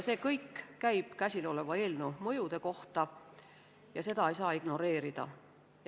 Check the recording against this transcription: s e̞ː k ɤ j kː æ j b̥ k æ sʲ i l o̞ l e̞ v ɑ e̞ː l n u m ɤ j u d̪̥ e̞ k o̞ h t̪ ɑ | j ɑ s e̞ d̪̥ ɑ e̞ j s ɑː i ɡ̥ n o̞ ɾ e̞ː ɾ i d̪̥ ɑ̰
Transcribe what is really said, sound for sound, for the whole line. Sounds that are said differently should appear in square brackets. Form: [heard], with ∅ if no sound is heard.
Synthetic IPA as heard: s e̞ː k ɤ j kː æ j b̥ k æ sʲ i l o̞ l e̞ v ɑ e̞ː l n u m ɤ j u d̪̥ e̞ k o̞ h t̪ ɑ | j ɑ s e̞ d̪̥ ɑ e̞ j s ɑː i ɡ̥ n o̞ ɾ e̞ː ɾ i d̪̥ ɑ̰